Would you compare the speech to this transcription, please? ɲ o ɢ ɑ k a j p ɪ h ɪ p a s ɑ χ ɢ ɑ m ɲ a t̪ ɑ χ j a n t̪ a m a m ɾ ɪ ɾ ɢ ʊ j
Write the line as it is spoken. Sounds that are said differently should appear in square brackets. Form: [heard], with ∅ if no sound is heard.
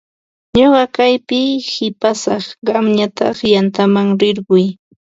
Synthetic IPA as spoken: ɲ o ɢ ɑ k a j p ɪ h ɪ p a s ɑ χ ɢ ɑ m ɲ a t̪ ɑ χ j a n t̪ a m a [ŋ] ɾ ɪ ɾ ɢ ʊ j